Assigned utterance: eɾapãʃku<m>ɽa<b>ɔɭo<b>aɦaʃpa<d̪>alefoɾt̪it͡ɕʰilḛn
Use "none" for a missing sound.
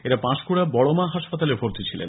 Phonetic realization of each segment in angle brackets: none, b, m, t̪

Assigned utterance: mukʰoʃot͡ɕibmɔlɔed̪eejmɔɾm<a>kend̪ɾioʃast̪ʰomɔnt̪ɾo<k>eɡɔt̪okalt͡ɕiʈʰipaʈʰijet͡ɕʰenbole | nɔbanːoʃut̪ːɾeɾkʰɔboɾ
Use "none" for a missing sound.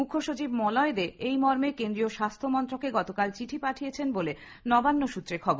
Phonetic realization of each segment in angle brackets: e, k

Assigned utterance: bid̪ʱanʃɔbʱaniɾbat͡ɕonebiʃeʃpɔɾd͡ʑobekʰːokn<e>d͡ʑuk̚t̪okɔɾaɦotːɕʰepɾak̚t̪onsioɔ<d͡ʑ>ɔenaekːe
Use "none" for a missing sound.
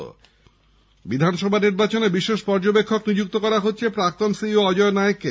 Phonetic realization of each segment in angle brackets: i, d͡ʑ

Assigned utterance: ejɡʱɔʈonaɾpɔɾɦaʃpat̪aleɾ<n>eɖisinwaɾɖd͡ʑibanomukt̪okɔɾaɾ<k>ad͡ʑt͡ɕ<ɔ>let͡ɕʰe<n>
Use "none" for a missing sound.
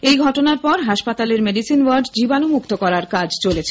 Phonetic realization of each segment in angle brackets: m, k, o, none

